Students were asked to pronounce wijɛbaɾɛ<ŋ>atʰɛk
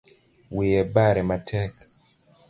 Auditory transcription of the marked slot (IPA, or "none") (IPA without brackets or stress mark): m